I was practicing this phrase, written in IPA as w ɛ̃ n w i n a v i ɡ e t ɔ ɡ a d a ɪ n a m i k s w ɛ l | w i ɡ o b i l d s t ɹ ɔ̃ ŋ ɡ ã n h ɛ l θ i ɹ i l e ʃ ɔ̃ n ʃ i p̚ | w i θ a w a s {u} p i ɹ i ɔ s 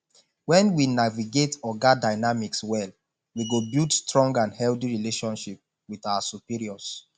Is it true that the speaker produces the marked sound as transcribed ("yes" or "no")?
yes